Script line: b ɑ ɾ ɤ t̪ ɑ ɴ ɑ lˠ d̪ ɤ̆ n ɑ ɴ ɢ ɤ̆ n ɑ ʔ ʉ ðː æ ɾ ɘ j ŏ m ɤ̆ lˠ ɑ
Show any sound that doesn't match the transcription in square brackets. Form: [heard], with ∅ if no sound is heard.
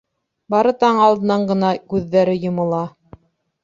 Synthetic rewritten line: b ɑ ɾ ɤ t̪ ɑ ɴ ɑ lˠ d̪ ɤ̆ n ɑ ɴ ɢ ɤ̆ n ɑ [k] ʉ ðː æ ɾ ɘ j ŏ m ɤ̆ lˠ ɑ